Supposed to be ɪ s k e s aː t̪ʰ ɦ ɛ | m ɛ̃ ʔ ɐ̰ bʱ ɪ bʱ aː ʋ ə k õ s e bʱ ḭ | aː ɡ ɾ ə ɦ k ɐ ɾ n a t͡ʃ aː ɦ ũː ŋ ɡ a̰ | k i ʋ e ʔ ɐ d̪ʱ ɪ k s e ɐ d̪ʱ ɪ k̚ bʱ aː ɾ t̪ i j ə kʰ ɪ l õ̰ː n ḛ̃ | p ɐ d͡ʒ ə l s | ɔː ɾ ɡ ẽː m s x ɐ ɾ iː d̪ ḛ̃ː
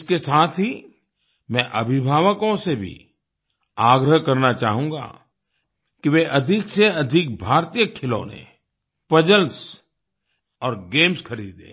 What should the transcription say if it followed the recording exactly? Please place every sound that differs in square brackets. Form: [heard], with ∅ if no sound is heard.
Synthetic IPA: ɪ s k e s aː t̪ʰ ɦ [i] | m ɛ̃ ʔ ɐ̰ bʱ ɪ bʱ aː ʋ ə k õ s e bʱ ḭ | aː ɡ ɾ ə ɦ k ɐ ɾ n a t͡ʃ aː ɦ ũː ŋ ɡ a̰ | k i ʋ e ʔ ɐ d̪ʱ ɪ k s e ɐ d̪ʱ ɪ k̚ bʱ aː ɾ t̪ i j ə kʰ ɪ l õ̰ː n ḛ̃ | p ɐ d͡ʒ ə l s | ɔː ɾ ɡ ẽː m s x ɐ ɾ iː d̪ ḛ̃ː